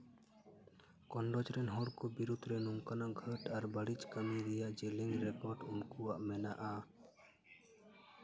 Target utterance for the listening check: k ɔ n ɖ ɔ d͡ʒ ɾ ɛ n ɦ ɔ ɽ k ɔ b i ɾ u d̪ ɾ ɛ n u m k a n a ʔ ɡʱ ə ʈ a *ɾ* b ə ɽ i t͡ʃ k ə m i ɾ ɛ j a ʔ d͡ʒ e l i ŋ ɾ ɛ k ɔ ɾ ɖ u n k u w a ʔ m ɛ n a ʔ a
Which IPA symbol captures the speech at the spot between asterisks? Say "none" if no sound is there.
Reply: ɾ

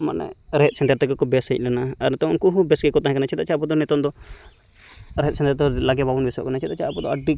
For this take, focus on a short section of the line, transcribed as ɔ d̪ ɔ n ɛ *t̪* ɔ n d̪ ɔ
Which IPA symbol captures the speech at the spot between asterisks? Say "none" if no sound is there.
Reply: t̪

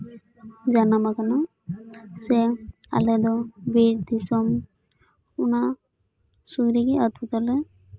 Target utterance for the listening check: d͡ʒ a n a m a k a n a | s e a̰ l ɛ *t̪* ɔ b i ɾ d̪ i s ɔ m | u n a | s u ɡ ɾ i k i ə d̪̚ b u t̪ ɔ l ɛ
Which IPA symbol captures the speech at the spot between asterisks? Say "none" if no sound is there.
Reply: d̪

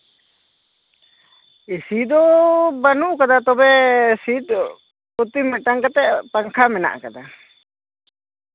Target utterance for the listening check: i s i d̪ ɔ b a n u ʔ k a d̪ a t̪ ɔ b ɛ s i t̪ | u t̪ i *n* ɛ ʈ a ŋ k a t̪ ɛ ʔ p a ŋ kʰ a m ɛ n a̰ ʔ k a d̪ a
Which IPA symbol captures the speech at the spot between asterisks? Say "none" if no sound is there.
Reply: m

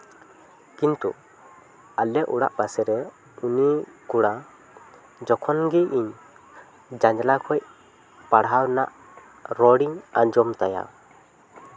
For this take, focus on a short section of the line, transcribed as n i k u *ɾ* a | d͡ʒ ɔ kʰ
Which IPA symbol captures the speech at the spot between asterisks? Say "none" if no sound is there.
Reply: ɽ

